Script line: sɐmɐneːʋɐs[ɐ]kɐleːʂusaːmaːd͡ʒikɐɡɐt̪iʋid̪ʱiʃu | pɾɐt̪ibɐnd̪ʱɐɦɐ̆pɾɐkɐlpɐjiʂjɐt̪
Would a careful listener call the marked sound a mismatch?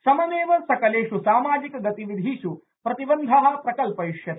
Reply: no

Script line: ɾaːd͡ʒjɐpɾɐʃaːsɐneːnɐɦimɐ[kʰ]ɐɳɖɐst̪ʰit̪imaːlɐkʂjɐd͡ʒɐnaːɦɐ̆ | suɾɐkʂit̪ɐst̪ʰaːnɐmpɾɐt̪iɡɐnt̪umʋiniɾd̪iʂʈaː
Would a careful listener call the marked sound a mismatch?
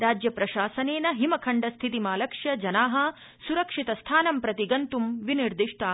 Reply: no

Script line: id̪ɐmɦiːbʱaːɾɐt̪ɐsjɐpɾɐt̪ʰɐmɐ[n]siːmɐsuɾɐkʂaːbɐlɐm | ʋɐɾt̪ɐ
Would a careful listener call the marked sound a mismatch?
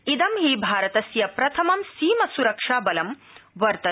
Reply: yes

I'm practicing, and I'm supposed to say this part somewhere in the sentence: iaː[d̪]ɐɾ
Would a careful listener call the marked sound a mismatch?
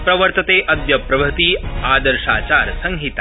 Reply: no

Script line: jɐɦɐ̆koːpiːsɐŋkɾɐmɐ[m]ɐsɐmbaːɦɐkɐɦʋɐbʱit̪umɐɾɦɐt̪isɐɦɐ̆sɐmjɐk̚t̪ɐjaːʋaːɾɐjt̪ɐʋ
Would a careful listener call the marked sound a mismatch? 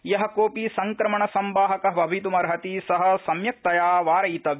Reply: yes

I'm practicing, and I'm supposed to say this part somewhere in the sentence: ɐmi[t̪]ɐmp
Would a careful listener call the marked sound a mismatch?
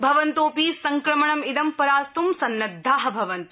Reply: yes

